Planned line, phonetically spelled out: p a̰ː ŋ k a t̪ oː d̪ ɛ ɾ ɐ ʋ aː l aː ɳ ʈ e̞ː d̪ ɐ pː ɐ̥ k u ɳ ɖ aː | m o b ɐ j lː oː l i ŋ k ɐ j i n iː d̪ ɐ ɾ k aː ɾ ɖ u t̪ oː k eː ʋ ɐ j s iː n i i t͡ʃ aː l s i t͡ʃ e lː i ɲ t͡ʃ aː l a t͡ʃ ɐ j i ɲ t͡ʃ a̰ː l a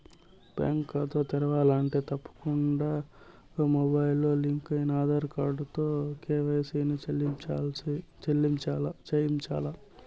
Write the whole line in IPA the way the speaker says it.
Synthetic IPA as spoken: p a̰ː ŋ k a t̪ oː t̪ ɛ ɾ ɐ ʋ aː l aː ɳ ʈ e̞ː t̪ ɐ pː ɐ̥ k u ɳ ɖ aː | m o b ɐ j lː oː l i ŋ k ɐ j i n aː d̪ ɐ ɾ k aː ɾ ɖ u t̪ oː k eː ʋ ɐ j s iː n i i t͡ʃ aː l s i t͡ʃ e lː i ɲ t͡ʃ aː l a t͡ʃ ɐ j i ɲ t͡ʃ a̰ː l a

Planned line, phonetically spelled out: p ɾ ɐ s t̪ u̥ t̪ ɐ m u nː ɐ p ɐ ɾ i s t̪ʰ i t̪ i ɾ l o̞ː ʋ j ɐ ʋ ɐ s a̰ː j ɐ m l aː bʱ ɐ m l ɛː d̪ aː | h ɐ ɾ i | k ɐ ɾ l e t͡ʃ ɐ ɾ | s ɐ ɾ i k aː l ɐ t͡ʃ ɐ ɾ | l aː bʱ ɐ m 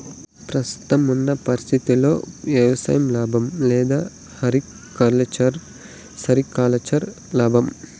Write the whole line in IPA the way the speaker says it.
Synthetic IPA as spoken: p ɾ ɐ s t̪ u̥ t̪ ɐ m u nː ɐ p ɐ ɾ i s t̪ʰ i t̪ i l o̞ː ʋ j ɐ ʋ ɐ s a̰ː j ɐ m l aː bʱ ɐ m l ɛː d̪ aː | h ɐ ɾ i | k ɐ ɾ l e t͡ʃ ɐ ɾ | s ɐ ɾ i k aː l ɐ t͡ʃ ɐ ɾ | l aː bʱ ɐ m

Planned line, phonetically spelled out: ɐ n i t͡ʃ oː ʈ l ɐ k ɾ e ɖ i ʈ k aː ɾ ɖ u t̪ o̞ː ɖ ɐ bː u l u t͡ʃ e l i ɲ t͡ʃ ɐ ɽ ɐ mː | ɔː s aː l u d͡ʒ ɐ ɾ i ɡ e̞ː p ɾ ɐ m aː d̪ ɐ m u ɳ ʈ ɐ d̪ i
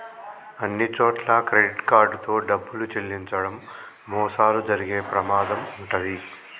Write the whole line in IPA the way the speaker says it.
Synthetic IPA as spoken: ɐ nː i t͡ʃ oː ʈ l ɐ k ɾ e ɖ i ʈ k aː ɾ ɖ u t̪ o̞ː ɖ ɐ bː u l u t͡ʃ e lː i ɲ t͡ʃ ɐ ɽ ɐ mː | ɔː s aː l u d͡ʒ ɐ ɾ i ɡ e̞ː p ɾ ɐ m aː d̪ ɐ m u ɳ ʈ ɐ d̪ i

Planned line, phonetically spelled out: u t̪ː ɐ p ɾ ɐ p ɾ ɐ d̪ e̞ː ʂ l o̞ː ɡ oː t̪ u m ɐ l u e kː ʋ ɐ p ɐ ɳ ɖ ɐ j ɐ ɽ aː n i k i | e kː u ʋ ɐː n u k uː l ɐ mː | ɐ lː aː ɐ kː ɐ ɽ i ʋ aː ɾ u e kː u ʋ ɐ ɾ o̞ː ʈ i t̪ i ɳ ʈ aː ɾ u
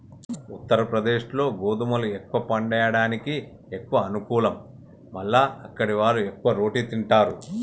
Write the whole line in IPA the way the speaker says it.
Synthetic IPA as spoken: u t̪ː ɐ ɾ ɐ p ɾ ɐ d̪ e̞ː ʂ l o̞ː ɡ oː d̪ u m ɐ l u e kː ʋ ɐ p ɐ ɳ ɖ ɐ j ɐ ɽ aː n i k i | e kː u ʋ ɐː n u k uː l ɐ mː | ɐ lː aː ɐ kː ɐ ɽ i ʋ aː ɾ u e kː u ʋ ɐ ɾ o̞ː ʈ i t̪ i ɳ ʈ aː ɾ u

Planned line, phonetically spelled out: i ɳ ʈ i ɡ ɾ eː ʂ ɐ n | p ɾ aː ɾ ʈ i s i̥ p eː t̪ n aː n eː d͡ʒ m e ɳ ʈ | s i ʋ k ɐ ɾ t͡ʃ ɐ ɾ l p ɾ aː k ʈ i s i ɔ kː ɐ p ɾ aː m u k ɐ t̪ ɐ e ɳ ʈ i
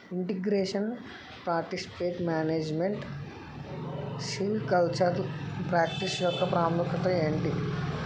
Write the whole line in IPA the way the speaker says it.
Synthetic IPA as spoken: i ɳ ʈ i ɡ ɾ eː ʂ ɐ n | p ɾ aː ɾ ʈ i s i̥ p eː t̪ m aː n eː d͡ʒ m e ɳ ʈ | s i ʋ k ɐ l t͡ʃ ɐ ɾ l p ɾ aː k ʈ i s j ɔ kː ɐ p ɾ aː m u k ɐ t̪ ɐ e ɳ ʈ i

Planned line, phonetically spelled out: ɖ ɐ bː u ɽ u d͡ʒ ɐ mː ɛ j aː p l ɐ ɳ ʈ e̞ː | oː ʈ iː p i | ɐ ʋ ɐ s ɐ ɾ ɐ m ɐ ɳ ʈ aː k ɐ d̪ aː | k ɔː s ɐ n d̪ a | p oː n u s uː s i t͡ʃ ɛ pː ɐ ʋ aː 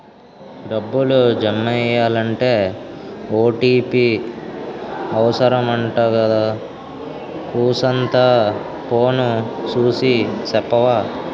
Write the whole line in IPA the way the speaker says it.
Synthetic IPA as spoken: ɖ ɐ bː u l u d͡ʒ ɐ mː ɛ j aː l ɐ ɳ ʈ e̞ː | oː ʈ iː p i | ɐ ʋ ɐ s ɐ ɾ ɐ m ɐ ɳ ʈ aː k ɐ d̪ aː | k uː s ɐ n t̪ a | p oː n u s uː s i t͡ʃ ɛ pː ɐ ʋ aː

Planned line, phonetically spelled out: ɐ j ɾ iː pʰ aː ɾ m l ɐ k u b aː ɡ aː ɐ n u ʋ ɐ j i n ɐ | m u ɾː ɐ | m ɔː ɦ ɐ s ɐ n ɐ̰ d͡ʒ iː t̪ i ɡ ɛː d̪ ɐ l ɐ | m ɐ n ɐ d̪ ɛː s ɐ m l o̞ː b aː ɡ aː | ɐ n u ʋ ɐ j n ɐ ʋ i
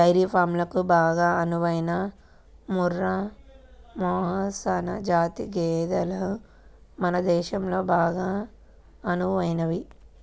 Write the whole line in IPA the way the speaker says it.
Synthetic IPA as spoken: ɐ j ɾ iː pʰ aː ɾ m l ɐ k u b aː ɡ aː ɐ n u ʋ ɐ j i n ɐ | m u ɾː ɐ | m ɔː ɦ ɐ s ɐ n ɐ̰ d͡ʒ aː t̪ i ɡ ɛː d̪ ɐ l ɐ | m ɐ n ɐ d̪ ɛː ʃ ɐ m l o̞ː b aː ɡ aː | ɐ n u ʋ ɐ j n ɐ ʋ i

